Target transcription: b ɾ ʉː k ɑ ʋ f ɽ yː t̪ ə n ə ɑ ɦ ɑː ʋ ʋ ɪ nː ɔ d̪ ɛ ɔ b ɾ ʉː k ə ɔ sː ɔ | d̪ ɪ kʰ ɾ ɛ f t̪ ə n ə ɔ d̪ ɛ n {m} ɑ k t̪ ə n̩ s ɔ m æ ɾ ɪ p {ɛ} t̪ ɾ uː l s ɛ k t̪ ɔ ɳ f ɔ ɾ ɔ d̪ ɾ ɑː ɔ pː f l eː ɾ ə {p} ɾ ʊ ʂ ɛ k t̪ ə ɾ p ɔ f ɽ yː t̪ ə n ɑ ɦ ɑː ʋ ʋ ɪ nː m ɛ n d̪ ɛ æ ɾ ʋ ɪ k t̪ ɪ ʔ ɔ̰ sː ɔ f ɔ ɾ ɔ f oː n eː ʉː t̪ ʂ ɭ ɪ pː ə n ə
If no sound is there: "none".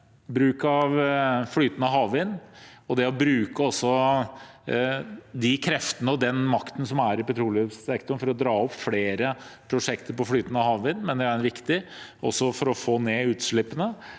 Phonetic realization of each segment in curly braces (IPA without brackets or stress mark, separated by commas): m, ɛ, pʰ